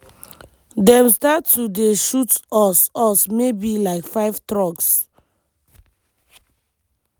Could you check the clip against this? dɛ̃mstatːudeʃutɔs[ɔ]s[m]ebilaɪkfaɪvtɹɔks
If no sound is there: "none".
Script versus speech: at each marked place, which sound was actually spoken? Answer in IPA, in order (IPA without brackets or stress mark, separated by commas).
ɔ, m